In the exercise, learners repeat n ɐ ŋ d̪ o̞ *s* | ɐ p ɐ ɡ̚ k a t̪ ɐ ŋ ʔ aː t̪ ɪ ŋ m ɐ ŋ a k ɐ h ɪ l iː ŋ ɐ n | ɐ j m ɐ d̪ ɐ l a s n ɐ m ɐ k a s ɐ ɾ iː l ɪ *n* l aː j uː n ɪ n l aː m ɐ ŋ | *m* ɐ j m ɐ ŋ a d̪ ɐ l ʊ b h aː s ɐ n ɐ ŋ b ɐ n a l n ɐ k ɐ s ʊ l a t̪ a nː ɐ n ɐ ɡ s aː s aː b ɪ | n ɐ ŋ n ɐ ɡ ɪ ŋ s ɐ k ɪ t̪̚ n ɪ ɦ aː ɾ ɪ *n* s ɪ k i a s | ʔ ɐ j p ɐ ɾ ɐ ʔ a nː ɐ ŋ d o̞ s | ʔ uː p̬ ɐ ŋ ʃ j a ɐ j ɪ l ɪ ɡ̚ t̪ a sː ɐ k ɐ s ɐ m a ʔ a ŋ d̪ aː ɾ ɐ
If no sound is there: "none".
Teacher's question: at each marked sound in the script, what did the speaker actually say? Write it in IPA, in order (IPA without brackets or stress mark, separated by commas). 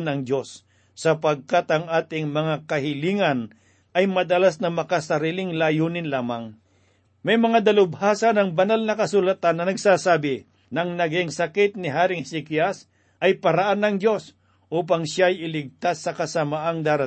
sː, ŋ, m, ŋ